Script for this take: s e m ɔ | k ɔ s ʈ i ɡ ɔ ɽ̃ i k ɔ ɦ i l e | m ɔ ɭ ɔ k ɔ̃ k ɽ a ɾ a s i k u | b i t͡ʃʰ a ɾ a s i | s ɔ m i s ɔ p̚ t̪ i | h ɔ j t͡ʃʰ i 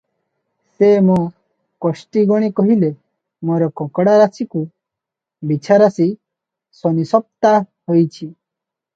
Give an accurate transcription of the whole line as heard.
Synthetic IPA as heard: s e m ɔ | k ɔ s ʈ i ɡ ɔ ɽ̃ i k ɔ ɦ i l e | m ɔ ɾ ɔ k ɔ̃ k ɽ a ɾ a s i k u | b i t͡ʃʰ a ɾ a s i | s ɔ n i s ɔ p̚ t̪ a | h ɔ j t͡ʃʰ i